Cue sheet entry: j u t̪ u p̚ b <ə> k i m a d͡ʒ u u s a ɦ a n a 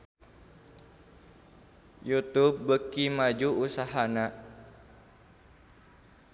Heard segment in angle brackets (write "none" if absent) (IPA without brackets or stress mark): ə